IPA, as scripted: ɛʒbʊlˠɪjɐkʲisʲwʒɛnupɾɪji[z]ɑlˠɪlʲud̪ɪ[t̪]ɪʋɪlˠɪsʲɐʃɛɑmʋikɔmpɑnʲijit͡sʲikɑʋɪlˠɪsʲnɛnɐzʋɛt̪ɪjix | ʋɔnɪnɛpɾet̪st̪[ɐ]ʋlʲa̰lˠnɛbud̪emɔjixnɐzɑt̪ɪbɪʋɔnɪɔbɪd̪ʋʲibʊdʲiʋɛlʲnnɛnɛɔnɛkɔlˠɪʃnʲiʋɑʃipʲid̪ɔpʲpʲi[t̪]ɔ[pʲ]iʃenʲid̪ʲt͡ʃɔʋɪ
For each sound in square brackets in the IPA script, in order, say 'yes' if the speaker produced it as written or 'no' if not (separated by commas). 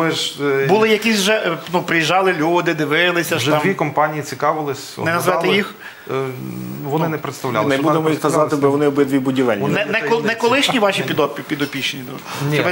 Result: no, no, yes, no, yes